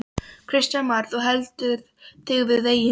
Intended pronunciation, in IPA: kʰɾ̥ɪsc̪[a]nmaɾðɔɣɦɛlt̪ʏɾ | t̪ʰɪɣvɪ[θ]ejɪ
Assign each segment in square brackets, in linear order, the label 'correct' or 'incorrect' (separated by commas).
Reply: correct, incorrect